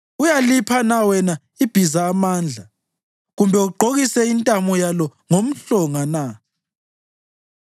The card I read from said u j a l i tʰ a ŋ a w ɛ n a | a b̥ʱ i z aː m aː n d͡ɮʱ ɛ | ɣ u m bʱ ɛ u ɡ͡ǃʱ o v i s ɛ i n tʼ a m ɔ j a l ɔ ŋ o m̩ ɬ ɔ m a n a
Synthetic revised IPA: u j a l i pʰ a n a w ɛ n a | i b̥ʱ i z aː m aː n d͡ɮʱ a | ɣ u m bʱ ɛ u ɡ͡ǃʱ o ɣ i s ɛ i n tʼ a m ɔ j a l ɔ ŋ o m̩ ɬ ɔ ŋ a n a